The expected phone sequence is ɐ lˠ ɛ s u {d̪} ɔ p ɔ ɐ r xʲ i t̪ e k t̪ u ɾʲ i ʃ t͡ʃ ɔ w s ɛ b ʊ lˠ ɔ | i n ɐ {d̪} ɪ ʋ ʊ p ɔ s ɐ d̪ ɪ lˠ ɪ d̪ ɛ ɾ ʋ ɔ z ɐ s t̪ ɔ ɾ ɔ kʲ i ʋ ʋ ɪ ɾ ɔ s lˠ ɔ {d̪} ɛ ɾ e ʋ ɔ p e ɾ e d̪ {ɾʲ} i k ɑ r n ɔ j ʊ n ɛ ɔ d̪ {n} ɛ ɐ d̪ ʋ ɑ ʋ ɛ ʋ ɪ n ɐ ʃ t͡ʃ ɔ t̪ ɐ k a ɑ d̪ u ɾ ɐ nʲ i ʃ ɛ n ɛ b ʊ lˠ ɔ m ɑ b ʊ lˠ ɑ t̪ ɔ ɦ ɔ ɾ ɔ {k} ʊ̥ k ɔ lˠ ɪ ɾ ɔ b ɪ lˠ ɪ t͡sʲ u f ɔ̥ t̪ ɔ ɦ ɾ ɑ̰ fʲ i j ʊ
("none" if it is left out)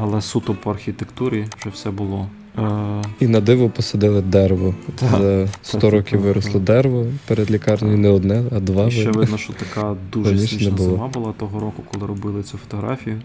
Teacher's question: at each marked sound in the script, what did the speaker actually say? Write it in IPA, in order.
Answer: t̪, d̪, d̪, lʲ, n, k

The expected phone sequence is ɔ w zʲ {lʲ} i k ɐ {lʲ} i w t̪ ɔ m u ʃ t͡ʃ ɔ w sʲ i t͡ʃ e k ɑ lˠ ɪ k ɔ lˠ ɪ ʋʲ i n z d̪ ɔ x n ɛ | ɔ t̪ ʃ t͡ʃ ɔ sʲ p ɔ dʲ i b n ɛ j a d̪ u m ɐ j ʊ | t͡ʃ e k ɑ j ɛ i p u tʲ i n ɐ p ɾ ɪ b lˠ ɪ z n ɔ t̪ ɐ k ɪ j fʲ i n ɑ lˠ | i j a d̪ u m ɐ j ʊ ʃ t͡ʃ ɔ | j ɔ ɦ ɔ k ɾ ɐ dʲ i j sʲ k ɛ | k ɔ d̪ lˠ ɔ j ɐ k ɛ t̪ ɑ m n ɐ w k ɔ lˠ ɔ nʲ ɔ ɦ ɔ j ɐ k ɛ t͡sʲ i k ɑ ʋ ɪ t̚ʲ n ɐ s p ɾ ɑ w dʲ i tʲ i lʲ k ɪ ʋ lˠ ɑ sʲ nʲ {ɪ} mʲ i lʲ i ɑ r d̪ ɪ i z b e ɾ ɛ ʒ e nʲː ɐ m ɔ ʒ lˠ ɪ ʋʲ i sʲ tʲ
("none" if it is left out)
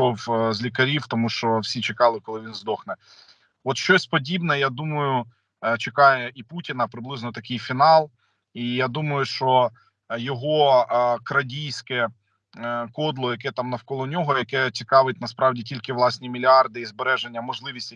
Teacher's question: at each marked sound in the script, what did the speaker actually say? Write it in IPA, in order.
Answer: lʲ, ɾʲ, i

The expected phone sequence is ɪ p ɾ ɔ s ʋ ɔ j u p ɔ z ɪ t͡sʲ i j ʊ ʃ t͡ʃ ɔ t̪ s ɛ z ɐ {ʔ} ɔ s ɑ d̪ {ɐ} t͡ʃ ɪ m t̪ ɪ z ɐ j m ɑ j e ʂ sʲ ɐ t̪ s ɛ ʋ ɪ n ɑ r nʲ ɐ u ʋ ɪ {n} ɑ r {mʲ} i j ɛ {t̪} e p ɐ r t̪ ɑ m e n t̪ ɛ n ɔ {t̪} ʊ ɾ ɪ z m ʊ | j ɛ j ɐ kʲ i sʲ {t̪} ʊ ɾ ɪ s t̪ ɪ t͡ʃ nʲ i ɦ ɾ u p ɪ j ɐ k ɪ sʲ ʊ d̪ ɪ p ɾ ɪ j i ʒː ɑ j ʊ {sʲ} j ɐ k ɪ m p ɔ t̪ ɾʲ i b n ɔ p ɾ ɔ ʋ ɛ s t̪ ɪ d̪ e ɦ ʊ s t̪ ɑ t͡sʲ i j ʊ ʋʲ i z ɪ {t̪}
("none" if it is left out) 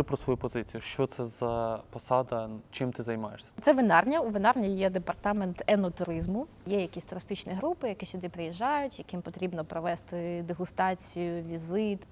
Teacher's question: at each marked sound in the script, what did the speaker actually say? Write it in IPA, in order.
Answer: p, ɐ, n, nʲ, d̪, t̪, t̪, tʲ, t̪

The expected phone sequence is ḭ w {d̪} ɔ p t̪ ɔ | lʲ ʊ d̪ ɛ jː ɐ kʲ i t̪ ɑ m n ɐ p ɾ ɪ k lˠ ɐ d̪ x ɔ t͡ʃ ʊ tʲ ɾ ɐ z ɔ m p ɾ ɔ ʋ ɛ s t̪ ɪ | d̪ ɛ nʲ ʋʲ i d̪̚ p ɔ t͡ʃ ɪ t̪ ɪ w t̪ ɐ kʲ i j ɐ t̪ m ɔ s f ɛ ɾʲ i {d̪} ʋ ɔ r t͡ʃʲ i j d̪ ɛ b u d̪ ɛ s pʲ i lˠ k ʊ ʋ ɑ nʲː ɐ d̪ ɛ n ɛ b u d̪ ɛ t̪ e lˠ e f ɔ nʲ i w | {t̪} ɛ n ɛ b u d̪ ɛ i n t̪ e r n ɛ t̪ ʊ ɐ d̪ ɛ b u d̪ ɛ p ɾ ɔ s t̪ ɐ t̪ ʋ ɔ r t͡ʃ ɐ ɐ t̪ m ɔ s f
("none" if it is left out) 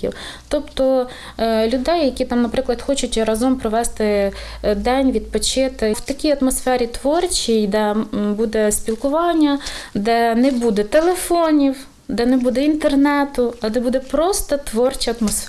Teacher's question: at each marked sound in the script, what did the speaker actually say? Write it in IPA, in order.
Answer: t̪, t̪, d̪

